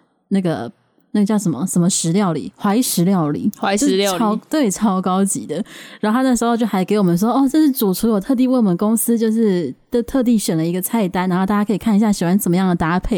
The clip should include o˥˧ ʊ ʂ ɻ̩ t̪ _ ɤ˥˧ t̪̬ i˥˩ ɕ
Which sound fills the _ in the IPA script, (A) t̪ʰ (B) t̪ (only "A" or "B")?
A